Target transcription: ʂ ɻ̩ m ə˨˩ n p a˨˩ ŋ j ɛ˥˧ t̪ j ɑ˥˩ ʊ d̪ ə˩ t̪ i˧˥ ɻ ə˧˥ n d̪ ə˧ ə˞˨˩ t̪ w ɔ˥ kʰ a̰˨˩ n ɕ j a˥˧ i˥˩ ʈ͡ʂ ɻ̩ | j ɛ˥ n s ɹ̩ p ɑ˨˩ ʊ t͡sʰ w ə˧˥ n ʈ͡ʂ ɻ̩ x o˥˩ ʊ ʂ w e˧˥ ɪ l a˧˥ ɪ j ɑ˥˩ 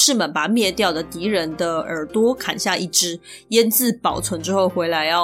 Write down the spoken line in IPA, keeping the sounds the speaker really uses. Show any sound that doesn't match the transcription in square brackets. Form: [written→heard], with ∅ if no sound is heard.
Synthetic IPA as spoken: ʂ ɻ̩ m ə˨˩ n p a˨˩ [ŋ→m] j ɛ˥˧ t̪ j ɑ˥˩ ʊ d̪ ə˩ t̪ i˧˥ ɻ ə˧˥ n d̪ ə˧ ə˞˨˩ t̪ w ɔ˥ kʰ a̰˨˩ n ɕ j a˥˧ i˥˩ ʈ͡ʂ ɻ̩ | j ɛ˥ n [s→t͡s] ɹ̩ p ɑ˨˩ ʊ t͡sʰ w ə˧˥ n ʈ͡ʂ ɻ̩ x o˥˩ ʊ [ʂ→x] w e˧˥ ɪ l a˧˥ ɪ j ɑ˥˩